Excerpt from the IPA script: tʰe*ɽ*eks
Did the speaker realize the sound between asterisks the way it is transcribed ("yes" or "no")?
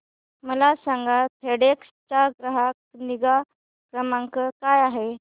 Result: yes